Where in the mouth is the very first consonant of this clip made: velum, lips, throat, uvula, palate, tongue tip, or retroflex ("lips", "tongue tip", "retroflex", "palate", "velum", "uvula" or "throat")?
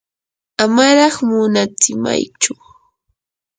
lips